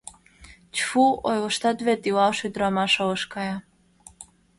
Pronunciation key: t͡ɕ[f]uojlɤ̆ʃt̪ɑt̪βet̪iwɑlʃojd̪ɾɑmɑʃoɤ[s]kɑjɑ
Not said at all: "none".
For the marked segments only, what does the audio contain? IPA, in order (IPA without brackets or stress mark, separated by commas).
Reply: f, ʃ